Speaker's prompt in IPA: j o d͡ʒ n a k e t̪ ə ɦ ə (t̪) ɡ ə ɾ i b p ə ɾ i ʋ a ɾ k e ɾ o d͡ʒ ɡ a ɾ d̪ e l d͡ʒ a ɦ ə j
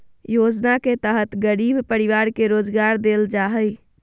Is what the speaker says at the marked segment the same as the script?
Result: yes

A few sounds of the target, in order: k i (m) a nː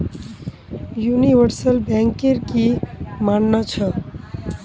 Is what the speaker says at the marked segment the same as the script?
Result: yes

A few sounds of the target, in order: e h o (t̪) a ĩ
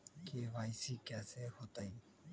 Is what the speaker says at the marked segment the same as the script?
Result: yes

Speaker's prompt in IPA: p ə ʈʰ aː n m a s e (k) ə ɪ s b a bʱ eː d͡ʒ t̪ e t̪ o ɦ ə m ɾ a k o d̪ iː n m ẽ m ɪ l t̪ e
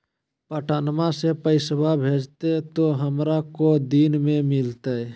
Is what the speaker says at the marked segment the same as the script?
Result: no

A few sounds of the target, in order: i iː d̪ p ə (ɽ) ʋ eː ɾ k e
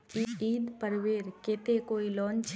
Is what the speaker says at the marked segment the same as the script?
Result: no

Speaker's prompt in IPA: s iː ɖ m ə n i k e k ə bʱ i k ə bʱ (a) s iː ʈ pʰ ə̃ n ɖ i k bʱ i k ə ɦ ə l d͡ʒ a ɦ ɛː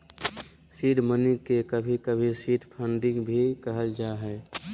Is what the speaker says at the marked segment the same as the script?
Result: no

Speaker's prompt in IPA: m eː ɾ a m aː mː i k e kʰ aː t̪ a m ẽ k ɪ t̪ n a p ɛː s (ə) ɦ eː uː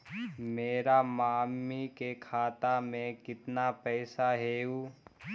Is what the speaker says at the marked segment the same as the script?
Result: no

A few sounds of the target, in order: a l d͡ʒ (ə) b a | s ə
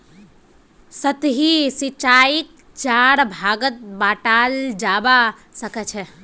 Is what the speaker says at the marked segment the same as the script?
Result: no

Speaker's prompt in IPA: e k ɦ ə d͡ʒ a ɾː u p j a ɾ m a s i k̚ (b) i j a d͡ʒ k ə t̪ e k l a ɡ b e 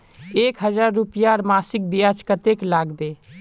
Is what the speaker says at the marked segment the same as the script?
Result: yes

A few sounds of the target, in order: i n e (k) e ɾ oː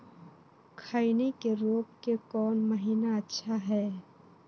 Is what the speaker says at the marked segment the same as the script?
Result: yes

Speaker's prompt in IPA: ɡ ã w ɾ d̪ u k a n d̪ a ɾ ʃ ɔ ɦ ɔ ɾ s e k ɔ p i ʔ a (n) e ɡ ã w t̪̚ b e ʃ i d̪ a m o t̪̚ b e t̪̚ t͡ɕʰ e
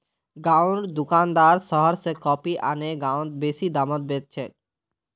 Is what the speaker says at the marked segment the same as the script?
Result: yes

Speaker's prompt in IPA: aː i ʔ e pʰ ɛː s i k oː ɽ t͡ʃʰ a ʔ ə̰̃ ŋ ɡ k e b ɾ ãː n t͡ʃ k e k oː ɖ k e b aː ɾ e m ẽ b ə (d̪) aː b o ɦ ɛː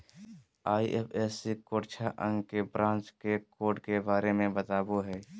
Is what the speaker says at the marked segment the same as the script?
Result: no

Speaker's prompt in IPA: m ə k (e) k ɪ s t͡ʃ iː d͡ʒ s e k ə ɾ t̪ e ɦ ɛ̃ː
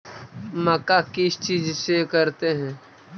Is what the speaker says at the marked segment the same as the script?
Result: no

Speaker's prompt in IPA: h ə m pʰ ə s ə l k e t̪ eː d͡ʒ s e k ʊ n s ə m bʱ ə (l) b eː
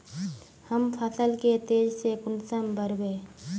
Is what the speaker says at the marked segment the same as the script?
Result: no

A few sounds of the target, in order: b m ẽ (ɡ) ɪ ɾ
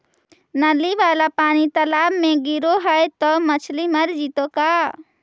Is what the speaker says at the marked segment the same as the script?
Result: yes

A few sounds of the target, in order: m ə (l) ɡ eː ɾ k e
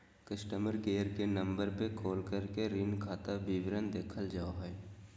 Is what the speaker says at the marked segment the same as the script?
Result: no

